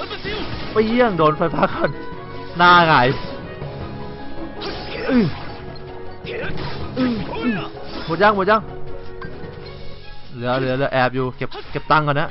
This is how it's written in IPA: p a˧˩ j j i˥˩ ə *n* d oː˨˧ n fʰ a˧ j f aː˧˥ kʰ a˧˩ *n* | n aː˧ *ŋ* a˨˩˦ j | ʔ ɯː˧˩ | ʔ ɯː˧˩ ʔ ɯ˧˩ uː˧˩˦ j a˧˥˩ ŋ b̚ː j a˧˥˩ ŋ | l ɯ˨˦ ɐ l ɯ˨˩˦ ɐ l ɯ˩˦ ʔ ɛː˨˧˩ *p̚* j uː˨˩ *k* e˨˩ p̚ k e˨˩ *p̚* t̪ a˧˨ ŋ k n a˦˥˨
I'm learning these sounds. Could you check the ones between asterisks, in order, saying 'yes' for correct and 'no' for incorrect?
no, yes, yes, yes, yes, yes

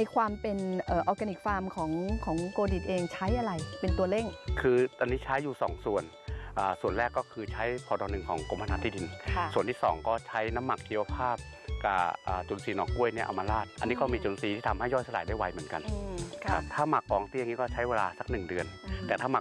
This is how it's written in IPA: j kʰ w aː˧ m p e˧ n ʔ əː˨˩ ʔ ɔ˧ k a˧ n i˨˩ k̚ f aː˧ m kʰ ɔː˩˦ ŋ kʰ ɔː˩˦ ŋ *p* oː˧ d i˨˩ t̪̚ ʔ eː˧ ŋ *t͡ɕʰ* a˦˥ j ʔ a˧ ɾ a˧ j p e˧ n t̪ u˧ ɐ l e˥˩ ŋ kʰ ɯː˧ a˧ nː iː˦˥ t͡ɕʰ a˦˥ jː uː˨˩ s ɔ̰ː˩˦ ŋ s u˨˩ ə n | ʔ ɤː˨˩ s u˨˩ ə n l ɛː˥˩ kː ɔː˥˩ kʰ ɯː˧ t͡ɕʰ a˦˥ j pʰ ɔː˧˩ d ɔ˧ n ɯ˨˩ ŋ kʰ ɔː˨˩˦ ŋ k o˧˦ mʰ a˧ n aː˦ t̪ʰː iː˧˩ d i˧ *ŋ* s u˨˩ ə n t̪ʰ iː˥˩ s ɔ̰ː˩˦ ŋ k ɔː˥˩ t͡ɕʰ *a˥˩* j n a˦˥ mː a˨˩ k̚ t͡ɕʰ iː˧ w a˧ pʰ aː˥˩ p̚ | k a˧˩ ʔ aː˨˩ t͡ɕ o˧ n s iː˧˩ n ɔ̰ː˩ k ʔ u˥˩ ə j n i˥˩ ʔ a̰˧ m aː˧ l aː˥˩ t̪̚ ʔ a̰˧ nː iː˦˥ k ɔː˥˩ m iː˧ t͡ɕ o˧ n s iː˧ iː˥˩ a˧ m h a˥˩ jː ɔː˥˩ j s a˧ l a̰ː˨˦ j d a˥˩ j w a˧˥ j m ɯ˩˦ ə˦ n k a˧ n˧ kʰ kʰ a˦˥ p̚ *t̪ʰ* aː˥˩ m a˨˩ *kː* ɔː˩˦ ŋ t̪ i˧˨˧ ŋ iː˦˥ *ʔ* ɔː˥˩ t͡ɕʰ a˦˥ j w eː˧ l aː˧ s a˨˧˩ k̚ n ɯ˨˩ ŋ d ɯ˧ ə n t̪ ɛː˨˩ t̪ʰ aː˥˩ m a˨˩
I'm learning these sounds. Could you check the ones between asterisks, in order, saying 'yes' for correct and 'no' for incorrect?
no, yes, no, no, yes, yes, no

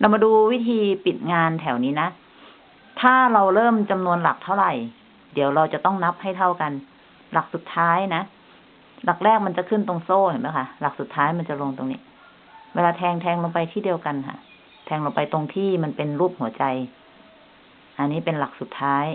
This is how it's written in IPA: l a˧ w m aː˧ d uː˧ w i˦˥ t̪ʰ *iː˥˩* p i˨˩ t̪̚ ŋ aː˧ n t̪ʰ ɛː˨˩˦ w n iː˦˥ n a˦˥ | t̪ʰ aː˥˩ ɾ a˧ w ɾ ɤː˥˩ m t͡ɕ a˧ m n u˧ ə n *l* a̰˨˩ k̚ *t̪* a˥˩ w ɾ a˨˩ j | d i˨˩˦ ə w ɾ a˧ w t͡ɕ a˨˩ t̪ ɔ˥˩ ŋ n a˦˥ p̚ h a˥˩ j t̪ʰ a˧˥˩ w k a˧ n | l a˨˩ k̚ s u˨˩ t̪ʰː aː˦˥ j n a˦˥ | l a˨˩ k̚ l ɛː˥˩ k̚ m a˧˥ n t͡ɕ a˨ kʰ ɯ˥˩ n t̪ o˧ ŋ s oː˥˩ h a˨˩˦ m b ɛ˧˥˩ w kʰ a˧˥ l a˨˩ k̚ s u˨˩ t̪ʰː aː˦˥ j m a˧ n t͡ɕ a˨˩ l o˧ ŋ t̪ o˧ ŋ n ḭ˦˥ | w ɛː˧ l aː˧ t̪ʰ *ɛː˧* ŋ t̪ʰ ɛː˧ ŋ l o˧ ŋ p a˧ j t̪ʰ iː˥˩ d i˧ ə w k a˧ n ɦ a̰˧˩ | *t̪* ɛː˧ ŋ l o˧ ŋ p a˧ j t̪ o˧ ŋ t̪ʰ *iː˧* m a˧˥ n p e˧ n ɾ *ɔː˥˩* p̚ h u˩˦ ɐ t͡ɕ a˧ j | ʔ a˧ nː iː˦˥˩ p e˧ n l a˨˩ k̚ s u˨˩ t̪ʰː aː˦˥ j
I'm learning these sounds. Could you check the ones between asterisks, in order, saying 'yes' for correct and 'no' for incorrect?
no, yes, no, yes, no, no, no

